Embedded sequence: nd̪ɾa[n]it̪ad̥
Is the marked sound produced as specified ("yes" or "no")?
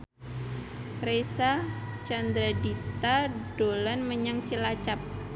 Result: no